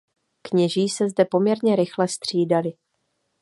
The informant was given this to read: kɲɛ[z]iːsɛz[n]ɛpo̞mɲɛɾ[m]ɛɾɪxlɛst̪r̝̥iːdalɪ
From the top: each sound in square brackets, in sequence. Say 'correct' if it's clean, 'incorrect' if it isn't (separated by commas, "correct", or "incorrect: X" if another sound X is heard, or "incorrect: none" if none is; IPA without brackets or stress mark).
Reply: incorrect: ʒ, incorrect: d, incorrect: ɲ